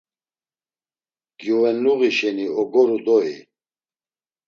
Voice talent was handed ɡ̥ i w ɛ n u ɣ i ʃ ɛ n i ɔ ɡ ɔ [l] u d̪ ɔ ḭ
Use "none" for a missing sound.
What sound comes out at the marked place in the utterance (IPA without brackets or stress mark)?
ɾ